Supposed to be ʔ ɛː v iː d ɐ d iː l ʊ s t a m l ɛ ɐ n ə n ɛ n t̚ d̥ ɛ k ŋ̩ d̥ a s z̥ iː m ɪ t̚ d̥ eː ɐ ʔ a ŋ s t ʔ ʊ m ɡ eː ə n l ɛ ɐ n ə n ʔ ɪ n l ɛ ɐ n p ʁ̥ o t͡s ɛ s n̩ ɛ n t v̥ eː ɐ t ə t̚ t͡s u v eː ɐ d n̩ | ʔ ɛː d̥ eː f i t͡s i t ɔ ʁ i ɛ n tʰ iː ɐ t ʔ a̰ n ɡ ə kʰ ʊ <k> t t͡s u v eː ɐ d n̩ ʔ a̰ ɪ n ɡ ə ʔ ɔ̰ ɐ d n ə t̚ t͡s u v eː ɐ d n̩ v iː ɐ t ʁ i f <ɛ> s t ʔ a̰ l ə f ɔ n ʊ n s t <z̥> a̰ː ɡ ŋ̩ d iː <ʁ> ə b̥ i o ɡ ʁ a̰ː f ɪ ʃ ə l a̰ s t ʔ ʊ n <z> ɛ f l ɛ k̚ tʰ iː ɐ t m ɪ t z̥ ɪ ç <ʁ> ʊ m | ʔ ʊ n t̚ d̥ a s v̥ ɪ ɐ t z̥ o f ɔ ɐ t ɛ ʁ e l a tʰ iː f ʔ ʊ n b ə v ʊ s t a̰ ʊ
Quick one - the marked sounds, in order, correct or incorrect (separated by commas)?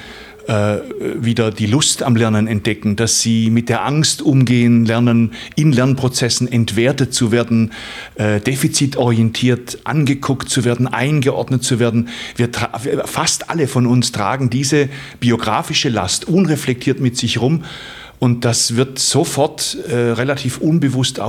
correct, incorrect, incorrect, incorrect, incorrect, correct